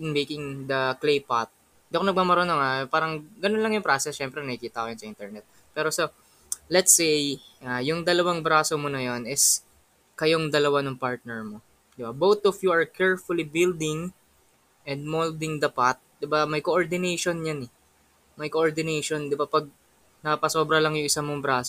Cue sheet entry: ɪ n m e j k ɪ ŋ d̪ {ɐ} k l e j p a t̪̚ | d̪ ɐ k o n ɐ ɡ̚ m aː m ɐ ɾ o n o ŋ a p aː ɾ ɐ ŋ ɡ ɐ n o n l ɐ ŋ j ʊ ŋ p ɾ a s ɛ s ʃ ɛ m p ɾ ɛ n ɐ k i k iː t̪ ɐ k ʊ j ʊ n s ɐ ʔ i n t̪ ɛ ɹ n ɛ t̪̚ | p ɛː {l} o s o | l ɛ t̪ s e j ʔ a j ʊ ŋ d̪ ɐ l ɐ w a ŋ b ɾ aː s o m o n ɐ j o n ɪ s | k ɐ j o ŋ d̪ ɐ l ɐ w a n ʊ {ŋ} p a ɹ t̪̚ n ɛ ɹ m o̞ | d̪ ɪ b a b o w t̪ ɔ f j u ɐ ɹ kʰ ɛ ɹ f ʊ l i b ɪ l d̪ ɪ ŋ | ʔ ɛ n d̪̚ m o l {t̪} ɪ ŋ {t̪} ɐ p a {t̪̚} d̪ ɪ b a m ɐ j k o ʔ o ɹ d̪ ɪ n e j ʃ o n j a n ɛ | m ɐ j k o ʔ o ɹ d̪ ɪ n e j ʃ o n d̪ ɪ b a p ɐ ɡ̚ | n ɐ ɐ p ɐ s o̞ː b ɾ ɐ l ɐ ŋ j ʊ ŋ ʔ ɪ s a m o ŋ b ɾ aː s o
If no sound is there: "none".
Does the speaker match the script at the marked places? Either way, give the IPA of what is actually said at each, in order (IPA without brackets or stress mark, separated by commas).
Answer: ɐ, ɾ, ŋ, d̪, d̪, t̪̚